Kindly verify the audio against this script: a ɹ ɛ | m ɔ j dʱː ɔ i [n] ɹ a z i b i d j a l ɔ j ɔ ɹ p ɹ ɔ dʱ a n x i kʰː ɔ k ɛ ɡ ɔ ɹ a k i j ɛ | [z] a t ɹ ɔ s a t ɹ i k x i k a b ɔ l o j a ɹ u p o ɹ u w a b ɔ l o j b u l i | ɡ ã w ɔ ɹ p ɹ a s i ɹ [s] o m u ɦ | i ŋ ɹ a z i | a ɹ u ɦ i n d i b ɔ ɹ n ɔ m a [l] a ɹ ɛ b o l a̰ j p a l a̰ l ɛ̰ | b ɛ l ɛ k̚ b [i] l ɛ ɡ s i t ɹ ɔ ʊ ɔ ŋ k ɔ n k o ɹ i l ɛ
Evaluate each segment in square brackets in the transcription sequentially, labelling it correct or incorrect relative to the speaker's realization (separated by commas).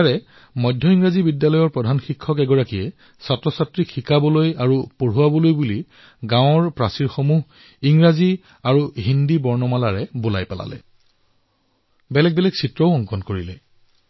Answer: incorrect, incorrect, incorrect, correct, incorrect